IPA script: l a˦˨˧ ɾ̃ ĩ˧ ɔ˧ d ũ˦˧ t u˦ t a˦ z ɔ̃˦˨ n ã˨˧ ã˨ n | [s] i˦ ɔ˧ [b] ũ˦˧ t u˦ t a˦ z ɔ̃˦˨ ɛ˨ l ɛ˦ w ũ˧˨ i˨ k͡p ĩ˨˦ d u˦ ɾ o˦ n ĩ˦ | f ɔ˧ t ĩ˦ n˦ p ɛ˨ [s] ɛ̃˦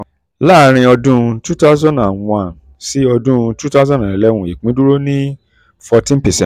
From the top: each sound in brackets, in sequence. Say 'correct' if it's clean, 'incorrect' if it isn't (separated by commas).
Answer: correct, incorrect, correct